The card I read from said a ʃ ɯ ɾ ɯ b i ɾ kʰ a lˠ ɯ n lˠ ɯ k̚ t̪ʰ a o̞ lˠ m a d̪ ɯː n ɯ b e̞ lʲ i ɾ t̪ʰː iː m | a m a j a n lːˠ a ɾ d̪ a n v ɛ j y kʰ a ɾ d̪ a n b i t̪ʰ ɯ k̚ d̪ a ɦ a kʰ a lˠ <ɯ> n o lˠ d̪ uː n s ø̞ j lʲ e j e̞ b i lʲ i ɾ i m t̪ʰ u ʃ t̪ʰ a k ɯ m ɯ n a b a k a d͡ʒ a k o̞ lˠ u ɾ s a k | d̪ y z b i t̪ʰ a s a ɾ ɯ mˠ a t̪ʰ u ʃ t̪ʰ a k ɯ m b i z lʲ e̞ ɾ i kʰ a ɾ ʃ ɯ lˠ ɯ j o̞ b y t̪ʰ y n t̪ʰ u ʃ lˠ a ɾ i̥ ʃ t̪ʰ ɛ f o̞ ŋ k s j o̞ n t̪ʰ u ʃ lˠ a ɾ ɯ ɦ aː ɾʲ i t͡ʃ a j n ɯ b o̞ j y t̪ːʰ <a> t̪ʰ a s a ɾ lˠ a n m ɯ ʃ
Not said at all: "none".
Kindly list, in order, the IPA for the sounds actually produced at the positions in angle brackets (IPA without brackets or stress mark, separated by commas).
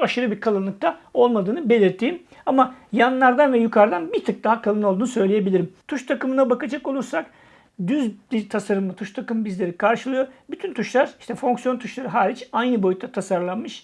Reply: ɯ, a